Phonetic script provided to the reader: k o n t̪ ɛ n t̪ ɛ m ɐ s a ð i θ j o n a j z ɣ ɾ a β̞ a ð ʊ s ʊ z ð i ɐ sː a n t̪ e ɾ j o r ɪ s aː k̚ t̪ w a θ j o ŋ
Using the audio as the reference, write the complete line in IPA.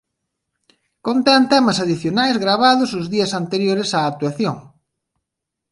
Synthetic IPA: k o n t̪ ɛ n t̪ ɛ m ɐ s a ð i θ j o n a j z ɣ ɾ a β̞ a ð ʊ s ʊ z ð i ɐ s a n t̪ e ɾ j o ɾ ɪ s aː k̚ t̪ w a θ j o ŋ